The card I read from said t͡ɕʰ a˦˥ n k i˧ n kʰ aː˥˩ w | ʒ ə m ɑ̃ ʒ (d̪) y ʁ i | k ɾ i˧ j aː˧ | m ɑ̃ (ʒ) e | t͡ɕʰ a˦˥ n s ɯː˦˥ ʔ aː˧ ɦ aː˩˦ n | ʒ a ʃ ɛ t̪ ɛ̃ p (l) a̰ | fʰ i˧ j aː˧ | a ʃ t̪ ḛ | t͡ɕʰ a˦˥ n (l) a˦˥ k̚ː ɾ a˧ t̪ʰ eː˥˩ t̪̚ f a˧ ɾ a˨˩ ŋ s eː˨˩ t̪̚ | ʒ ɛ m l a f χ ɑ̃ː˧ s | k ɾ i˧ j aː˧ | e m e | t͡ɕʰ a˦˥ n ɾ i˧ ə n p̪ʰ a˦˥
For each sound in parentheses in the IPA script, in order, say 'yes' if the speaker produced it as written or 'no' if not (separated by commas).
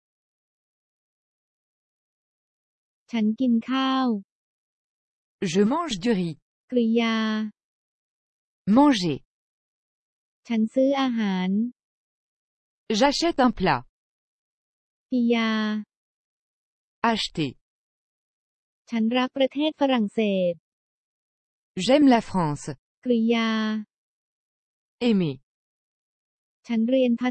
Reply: yes, yes, yes, no